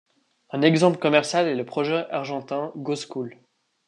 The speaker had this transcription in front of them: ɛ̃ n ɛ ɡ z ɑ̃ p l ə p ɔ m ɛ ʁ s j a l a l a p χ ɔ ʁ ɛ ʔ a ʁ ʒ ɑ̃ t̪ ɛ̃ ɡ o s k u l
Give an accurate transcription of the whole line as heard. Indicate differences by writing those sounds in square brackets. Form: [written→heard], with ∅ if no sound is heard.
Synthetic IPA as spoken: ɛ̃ n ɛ ɡ z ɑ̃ p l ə [p→k] ɔ m ɛ ʁ s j a l [a→ɛ] l [a→ə] p χ ɔ [ʁ→ʒ] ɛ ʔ a ʁ ʒ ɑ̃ t̪ ɛ̃ ɡ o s k u l